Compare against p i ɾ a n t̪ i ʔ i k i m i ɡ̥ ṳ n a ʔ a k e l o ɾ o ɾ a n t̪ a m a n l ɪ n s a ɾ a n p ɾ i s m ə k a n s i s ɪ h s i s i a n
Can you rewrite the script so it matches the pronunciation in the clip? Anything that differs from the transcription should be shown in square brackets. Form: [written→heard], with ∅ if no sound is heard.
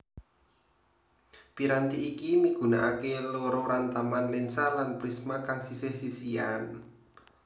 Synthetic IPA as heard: p i ɾ a n t̪ i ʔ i k i m i ɡ̥ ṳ n a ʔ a k e l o ɾ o ɾ a n t̪ a m a n l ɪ n s a [ɾ→l] a n p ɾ i s m [ə→a] k a [n→ŋ] s i s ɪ h s i s i a n